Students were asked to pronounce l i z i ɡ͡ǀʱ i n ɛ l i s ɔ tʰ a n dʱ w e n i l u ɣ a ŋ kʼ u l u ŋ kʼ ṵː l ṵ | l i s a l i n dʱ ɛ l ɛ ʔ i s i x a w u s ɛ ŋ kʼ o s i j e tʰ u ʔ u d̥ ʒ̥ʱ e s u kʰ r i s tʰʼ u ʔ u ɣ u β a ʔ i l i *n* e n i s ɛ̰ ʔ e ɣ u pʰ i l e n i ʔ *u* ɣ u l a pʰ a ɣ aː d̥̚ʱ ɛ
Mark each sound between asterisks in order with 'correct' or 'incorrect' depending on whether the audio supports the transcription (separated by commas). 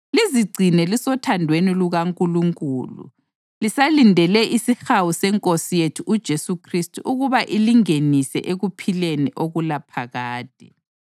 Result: incorrect, incorrect